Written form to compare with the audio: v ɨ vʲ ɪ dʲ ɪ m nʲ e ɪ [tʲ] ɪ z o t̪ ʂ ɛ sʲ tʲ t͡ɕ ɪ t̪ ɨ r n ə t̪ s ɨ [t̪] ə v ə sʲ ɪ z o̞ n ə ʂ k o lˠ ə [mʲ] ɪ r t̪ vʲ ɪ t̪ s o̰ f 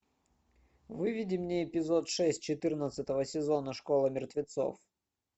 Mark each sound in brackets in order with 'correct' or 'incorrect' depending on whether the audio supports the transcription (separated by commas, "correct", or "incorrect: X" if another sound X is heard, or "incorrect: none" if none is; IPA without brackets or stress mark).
incorrect: pʲ, correct, correct